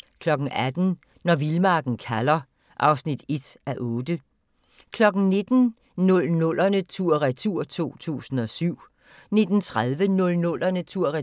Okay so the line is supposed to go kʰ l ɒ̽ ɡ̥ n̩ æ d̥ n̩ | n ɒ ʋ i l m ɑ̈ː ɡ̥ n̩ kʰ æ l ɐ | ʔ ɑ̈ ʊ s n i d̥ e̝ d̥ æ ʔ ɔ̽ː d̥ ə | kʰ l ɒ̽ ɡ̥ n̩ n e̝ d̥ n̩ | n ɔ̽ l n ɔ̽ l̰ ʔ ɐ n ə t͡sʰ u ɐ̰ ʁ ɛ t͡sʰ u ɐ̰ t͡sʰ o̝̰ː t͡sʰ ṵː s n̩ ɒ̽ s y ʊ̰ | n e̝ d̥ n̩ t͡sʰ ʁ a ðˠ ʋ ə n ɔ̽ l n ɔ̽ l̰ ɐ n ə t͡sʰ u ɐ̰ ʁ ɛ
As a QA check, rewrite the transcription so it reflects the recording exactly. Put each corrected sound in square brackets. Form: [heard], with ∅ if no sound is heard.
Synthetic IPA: kʰ l ɒ̽ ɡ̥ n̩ æ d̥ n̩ | n ɒ ʋ i l m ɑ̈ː ɡ̥ n̩ kʰ æ l ɐ | ʔ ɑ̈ ʊ s n i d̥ e̝ d̥ æ ʔ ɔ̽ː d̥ ə | kʰ l ɒ̽ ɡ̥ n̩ n e̝ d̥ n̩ | n ɔ̽ l n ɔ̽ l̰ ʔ ɐ n ə t͡sʰ u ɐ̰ ʁ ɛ t͡sʰ u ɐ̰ t͡sʰ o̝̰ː t͡sʰ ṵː s n̩ ɒ̽ s y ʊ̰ | n e̝ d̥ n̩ t͡sʰ ʁ a ðˠ ʋ ə n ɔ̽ l n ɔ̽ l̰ ɐ n ə t͡sʰ u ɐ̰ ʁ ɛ